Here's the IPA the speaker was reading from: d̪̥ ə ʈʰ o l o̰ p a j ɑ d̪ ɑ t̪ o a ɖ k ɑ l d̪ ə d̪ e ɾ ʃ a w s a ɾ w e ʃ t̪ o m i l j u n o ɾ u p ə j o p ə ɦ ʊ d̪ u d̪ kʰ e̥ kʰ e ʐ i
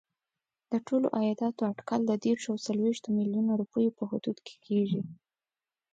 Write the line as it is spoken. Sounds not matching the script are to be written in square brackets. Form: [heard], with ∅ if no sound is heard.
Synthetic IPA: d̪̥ ə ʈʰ o l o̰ [ʔ] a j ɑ d̪ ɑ t̪ o a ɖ k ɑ l d̪ ə d̪ e ɾ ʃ a w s a [l] w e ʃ t̪ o m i l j u n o ɾ u p ə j o p ə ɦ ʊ d̪ u d̪ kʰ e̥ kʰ e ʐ i